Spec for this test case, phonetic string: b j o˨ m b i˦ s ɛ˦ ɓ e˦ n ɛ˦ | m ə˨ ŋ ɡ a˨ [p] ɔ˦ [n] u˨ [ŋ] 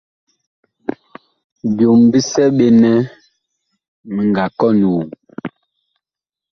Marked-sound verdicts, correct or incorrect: incorrect: k, correct, incorrect: none

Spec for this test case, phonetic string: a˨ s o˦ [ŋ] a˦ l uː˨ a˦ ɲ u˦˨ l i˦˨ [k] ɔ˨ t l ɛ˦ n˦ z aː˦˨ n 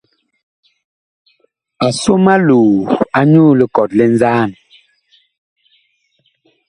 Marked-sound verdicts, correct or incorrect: incorrect: m, correct

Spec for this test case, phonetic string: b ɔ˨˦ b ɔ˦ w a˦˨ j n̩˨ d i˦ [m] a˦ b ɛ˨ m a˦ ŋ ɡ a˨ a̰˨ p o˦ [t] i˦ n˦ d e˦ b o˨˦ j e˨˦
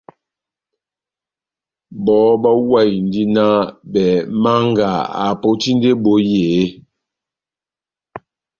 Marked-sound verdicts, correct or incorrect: incorrect: n, correct

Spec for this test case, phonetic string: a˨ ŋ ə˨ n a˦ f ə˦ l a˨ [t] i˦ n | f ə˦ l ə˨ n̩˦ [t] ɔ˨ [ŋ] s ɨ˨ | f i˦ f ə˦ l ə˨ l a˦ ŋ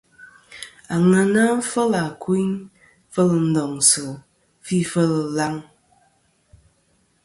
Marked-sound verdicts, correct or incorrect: incorrect: k, incorrect: d, correct

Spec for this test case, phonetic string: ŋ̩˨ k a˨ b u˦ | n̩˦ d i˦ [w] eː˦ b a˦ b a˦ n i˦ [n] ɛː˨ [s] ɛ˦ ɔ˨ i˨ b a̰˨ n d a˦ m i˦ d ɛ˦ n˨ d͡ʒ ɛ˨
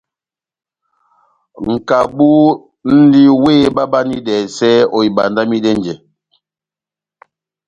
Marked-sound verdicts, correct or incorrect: correct, incorrect: d, correct

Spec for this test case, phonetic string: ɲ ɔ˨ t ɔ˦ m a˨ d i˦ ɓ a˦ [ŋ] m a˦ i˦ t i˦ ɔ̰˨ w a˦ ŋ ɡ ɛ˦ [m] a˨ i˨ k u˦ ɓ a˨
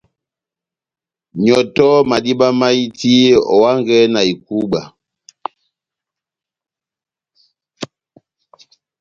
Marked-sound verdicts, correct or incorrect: incorrect: none, incorrect: n

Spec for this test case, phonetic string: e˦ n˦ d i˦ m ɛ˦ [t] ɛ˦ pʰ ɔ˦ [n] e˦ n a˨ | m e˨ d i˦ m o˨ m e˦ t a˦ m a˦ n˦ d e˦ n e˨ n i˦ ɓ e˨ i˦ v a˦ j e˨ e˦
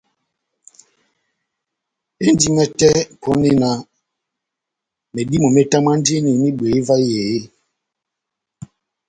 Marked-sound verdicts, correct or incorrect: correct, correct

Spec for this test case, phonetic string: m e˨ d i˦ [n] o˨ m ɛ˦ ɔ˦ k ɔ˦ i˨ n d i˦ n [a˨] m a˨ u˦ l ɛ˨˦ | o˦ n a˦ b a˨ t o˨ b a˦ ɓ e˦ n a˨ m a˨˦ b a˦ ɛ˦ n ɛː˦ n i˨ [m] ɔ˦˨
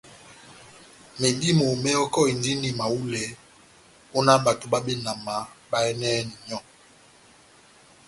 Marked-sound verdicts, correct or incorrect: incorrect: m, incorrect: i˨, incorrect: ɲ

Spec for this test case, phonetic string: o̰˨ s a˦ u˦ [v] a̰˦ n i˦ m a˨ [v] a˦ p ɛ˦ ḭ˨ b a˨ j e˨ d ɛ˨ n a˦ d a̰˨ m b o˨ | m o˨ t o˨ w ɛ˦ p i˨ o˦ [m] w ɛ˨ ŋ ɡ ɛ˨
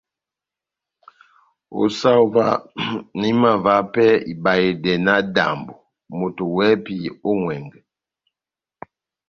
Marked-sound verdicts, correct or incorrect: correct, correct, incorrect: ŋ

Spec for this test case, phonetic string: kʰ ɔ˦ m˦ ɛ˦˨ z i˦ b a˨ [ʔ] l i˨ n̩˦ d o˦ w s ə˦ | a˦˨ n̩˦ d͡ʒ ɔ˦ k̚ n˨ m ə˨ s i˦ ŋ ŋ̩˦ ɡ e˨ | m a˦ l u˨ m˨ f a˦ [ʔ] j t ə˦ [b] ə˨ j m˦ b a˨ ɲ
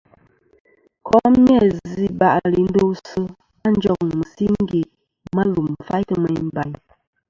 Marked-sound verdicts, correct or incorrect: correct, incorrect: none, incorrect: m

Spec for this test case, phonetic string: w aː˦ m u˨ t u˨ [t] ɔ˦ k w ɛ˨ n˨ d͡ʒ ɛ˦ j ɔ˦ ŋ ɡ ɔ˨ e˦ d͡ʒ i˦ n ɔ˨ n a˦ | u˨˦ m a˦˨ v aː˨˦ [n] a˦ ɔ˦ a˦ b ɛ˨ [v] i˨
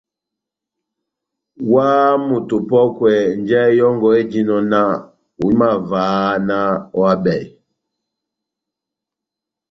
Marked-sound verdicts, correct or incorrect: incorrect: p, correct, incorrect: none

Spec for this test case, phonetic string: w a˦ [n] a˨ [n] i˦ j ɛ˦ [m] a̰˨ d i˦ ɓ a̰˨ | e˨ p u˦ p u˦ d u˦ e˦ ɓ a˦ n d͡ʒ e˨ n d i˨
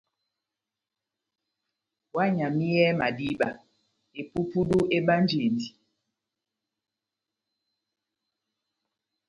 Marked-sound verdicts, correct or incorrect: incorrect: ɲ, incorrect: m, correct

